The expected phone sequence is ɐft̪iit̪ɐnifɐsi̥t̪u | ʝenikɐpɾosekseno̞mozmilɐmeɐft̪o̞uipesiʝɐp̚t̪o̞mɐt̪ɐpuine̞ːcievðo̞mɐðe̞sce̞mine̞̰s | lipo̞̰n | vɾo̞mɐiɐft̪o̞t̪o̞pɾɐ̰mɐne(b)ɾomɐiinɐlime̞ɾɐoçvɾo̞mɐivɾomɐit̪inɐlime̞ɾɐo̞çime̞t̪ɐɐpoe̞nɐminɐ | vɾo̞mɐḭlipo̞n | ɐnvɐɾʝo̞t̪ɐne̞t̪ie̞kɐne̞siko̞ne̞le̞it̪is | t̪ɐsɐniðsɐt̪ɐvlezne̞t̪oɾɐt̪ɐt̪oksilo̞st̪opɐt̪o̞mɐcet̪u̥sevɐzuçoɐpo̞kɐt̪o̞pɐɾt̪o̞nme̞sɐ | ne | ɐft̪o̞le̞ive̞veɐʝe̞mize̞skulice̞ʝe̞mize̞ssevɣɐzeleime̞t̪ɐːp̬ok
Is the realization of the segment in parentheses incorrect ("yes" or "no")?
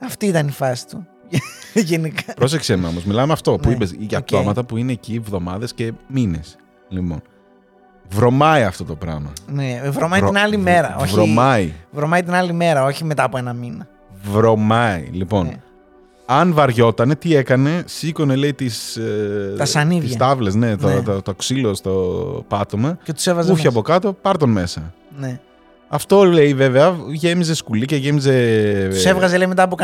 yes